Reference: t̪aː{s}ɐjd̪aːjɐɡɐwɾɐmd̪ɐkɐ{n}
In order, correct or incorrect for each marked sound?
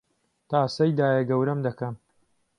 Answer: correct, incorrect

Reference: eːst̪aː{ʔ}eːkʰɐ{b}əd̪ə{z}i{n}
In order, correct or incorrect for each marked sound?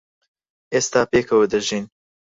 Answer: incorrect, incorrect, incorrect, correct

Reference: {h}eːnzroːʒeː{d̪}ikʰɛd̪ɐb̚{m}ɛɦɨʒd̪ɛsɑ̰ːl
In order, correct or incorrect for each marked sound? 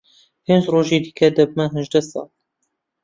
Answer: correct, correct, correct

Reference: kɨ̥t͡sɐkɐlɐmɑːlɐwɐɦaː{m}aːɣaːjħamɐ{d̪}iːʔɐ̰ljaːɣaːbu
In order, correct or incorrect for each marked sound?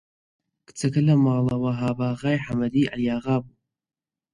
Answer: incorrect, correct

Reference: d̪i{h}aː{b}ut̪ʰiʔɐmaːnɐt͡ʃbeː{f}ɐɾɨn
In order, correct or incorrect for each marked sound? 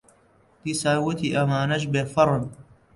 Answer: incorrect, incorrect, correct

